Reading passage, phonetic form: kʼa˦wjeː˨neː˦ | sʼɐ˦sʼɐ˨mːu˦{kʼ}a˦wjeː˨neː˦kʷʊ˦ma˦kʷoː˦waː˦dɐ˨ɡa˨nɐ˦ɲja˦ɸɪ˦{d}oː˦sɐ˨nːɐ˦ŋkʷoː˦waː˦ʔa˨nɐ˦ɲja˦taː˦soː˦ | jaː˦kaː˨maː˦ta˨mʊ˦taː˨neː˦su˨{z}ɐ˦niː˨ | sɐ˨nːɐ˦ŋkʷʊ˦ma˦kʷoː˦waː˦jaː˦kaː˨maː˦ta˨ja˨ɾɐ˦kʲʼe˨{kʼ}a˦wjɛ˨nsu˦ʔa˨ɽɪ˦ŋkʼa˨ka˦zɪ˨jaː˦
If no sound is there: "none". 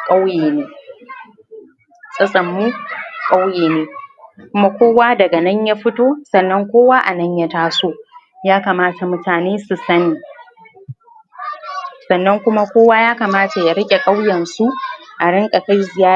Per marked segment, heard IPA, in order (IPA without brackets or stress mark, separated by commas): kʼ, t, s, kʼ